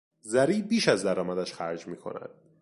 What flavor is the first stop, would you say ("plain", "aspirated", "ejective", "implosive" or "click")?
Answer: plain